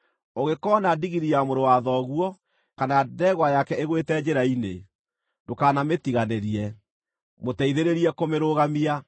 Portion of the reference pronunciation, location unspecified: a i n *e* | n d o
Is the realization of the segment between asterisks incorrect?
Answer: no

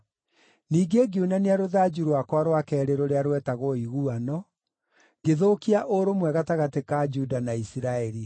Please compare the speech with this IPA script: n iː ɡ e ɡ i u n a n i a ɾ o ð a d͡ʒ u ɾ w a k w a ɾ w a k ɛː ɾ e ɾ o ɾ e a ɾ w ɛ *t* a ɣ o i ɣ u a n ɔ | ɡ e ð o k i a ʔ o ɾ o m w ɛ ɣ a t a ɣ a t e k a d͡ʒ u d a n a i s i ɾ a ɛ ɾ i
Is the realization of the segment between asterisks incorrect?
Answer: no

